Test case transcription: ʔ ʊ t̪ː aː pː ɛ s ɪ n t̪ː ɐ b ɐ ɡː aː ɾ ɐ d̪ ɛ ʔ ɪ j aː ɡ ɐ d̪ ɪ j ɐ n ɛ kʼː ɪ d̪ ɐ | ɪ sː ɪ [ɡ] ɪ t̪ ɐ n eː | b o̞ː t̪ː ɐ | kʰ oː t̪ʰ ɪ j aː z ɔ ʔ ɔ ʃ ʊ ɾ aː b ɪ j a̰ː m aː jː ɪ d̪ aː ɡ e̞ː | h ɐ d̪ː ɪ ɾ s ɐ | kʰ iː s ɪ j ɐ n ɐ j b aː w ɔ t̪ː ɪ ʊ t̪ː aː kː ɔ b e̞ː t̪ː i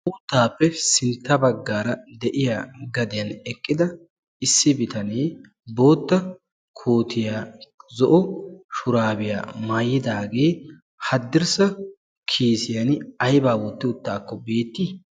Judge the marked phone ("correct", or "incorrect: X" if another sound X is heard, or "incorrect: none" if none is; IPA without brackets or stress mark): incorrect: b